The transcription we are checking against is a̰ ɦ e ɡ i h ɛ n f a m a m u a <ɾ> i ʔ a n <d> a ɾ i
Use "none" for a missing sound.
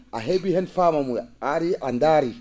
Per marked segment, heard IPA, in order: ɾ, d

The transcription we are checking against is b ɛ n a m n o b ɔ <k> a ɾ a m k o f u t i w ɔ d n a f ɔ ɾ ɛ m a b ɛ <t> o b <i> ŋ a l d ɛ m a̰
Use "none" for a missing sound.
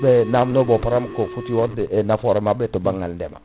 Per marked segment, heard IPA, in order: p, t, a

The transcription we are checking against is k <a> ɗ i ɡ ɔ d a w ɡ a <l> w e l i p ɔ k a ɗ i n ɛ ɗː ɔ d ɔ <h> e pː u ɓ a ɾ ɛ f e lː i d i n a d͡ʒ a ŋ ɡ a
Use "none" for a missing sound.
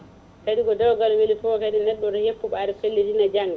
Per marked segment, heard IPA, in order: a, l, h

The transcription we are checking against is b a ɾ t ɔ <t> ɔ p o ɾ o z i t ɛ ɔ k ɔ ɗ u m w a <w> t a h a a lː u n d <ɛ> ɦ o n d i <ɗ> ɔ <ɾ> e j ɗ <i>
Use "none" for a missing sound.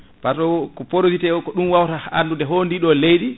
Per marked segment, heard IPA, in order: k, w, ɛ, ɗ, l, i

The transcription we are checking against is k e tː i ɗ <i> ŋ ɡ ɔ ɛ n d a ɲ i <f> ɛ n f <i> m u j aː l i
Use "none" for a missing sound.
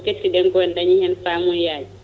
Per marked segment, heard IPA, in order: ɛ, h, a

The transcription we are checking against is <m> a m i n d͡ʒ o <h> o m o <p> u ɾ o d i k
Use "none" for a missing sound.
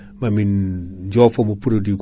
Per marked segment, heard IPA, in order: m, f, p

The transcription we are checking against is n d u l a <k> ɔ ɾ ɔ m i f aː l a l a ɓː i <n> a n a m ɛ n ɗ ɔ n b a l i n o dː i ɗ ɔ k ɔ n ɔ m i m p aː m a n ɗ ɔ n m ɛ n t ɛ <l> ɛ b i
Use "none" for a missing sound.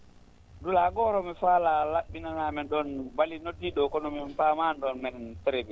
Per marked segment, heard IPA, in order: ɡ, n, ɾ

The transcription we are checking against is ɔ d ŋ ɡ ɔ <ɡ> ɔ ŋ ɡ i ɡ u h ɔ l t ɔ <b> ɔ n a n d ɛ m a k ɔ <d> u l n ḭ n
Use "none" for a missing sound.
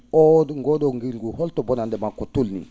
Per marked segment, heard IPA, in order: d, b, t

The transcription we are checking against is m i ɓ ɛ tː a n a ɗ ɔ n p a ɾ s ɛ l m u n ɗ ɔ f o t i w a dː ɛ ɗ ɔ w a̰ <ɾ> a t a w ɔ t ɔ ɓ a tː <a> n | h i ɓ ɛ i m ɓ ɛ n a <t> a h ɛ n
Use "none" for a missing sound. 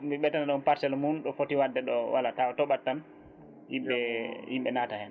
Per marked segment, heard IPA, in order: l, a, t

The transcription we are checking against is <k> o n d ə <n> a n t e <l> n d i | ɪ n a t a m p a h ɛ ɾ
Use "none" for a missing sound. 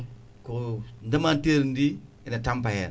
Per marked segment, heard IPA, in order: k, m, ɾ

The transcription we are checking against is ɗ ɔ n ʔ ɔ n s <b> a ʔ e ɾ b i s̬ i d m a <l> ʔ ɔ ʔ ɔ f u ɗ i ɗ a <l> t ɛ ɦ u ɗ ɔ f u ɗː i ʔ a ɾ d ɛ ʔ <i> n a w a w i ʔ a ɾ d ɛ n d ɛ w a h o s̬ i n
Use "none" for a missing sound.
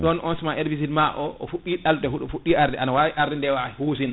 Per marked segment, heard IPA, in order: m, none, l, a

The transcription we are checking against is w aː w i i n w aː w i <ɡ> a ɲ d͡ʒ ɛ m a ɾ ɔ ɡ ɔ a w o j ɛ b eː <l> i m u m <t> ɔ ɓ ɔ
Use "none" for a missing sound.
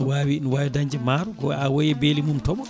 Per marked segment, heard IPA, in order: d, l, t

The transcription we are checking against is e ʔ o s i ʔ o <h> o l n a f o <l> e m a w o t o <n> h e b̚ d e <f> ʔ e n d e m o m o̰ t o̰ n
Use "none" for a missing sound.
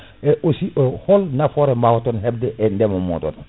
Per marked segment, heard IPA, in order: h, ɾ, n, none

